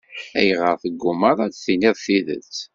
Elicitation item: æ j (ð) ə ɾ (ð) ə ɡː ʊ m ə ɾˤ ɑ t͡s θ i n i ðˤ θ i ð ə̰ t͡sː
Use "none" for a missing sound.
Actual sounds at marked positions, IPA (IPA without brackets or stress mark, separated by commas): ʁ, θ